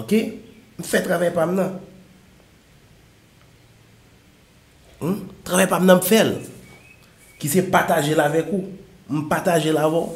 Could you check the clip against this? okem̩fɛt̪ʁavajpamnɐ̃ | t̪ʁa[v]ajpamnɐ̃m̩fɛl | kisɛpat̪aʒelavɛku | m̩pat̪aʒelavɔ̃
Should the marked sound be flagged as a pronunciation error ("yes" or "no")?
no